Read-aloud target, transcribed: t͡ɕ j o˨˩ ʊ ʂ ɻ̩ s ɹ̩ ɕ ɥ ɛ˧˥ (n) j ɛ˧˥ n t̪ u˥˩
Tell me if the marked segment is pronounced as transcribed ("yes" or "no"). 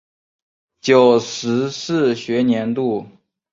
yes